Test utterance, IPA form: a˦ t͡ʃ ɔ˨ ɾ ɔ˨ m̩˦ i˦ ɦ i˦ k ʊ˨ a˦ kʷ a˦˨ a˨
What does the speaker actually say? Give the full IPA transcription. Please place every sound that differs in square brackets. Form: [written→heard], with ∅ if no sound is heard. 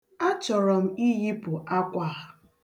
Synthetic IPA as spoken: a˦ t͡ʃ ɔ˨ ɾ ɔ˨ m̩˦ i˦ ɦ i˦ [k→p] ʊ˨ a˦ kʷ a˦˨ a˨